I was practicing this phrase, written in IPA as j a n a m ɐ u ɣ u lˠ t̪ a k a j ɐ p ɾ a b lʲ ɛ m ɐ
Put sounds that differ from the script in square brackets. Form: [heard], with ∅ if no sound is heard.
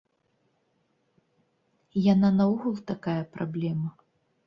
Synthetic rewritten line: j a n a [n] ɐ u ɣ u lˠ t̪ a k a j ɐ p ɾ a b lʲ ɛ m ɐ